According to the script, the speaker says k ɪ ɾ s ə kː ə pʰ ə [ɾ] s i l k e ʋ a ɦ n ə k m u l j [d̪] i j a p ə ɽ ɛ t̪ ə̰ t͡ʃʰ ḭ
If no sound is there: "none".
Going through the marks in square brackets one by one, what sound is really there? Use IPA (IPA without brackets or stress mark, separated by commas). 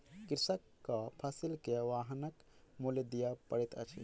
none, d̪